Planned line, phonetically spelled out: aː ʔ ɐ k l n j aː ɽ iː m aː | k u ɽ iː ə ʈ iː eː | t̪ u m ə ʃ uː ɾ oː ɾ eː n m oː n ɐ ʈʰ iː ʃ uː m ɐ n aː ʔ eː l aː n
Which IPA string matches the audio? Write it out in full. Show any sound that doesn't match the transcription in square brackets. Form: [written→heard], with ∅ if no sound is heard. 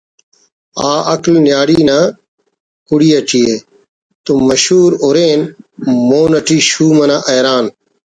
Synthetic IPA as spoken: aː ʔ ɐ k l n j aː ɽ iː [m→n] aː | k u ɽ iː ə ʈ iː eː | t̪ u m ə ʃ uː ɾ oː ɾ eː n m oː n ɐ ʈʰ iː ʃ uː m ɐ n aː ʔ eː [l→ɾ] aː n